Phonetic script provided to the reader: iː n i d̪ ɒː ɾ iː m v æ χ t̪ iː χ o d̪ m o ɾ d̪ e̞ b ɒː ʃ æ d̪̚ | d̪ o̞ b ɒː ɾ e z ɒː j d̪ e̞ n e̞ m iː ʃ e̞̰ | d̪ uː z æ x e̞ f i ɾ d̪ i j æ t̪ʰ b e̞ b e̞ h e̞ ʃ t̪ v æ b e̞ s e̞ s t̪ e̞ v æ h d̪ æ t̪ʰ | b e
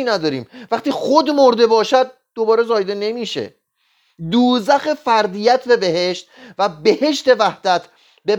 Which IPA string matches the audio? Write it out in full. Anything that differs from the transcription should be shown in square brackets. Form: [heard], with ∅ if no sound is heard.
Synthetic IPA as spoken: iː n [æ] d̪ ɒː ɾ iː m v æ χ t̪ iː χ o d̪ m o ɾ d̪ e̞ b ɒː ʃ æ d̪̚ | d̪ o̞ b ɒː ɾ e z ɒː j d̪ e̞ n e̞ m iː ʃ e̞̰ | d̪ uː z æ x e̞ f [æ] ɾ d̪ i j æ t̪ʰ b e̞ b e̞ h e̞ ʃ t̪ v æ b e̞ [h] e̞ [ʃ] t̪ e̞ v æ h d̪ æ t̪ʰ | b e